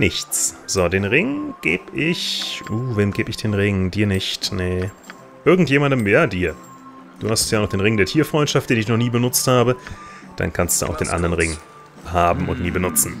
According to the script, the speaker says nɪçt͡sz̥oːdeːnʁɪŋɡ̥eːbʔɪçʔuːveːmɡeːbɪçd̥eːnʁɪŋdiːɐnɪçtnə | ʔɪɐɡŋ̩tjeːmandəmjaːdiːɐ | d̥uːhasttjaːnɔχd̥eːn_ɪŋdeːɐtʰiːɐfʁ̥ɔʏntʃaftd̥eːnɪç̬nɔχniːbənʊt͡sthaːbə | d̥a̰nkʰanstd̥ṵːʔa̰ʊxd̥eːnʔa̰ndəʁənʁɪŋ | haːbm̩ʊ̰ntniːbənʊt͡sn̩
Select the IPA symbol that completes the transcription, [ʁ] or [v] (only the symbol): ʁ